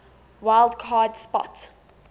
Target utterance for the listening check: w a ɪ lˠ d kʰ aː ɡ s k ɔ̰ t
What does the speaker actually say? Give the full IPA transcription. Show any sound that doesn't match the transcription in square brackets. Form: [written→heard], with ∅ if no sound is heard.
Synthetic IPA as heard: w a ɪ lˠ d kʰ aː [ɡ→d] s [k→p] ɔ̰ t